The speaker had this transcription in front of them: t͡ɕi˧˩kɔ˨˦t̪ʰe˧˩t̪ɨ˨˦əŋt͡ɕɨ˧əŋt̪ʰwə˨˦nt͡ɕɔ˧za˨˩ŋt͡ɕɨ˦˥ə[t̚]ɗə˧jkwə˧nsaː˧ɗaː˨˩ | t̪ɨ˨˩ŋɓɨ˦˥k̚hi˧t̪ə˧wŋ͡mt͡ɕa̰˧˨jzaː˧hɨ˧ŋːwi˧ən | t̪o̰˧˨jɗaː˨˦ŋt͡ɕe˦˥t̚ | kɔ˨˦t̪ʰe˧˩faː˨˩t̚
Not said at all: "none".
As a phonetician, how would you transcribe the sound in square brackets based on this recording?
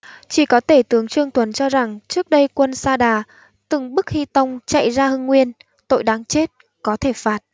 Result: k̚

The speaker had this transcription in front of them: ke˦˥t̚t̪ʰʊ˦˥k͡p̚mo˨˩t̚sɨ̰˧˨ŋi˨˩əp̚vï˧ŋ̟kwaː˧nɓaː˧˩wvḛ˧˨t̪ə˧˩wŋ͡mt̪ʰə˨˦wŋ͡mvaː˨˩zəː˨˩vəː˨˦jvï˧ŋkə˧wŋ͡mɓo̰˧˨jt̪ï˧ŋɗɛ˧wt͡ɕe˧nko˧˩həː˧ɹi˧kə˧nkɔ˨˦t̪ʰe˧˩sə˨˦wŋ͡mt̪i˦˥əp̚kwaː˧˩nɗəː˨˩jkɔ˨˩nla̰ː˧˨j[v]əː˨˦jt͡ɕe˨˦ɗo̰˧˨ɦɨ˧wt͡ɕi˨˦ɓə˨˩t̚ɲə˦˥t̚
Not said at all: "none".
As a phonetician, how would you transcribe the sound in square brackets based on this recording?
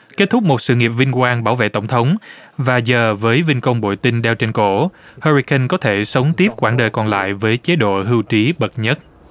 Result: v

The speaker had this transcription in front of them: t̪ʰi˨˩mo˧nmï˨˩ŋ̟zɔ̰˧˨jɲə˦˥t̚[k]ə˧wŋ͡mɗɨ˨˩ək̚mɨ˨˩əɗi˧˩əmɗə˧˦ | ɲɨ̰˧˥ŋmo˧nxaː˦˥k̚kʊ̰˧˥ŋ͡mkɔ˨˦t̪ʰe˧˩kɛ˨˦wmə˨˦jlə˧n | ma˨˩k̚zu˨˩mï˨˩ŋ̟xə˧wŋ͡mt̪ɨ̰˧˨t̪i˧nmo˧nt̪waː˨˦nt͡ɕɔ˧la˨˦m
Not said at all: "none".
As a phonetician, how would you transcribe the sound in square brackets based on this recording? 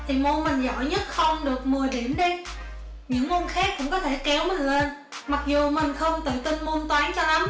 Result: x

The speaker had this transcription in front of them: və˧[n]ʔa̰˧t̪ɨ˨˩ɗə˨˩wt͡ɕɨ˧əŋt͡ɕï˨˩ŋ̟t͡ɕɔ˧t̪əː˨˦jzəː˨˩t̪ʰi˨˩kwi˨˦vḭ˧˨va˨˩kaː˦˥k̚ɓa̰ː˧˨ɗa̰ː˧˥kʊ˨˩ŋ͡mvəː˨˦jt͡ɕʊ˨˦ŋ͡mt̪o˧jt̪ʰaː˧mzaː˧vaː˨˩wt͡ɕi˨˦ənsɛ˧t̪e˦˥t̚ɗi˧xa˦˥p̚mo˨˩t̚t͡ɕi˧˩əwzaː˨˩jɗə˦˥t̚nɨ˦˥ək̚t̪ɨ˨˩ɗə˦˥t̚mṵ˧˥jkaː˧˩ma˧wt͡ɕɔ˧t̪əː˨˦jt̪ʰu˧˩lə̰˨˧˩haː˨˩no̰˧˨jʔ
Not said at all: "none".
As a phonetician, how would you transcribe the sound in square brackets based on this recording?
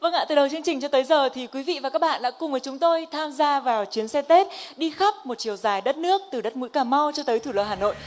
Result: ŋ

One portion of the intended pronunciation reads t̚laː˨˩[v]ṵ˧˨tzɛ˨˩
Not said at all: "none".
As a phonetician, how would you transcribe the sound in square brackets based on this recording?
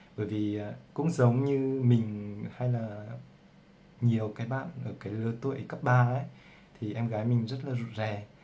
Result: z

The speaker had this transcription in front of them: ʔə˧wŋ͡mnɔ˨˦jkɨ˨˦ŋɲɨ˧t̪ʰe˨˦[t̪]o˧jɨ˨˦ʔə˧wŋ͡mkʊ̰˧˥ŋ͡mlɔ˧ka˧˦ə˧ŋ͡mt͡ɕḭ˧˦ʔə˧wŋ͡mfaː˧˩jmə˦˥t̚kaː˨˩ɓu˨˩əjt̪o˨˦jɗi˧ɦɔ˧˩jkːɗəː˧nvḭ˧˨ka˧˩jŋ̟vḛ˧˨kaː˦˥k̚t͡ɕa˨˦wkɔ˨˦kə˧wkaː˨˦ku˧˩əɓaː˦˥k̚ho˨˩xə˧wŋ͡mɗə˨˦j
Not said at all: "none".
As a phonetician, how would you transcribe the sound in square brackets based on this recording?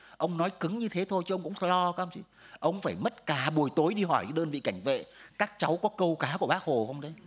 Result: t̪ʰ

